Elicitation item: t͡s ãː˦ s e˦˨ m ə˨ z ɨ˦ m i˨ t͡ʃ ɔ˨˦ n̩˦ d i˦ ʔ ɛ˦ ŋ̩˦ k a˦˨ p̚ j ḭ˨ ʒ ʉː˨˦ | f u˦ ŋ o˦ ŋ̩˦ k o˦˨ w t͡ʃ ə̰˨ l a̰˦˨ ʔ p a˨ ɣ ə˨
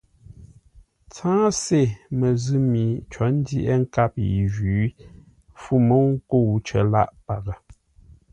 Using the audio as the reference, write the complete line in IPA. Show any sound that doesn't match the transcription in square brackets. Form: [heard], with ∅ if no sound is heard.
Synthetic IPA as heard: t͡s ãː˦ s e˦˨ m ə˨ z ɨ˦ m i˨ t͡ʃ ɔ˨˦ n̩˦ d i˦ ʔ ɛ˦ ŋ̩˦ k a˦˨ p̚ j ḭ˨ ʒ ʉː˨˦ | f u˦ [m] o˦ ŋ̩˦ k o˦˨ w t͡ʃ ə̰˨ l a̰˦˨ ʔ p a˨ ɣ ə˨